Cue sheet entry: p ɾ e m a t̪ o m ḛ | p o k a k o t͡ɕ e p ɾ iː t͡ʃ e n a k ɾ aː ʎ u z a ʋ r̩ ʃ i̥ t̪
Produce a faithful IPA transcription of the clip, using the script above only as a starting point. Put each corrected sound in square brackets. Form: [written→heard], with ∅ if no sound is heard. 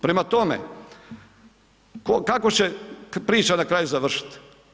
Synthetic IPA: p ɾ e m a t̪ o m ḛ | [p→k] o k a k o t͡ɕ e p ɾ iː t͡ʃ [e→a] n a k ɾ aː [ʎ→j] u z a ʋ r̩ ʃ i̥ t̪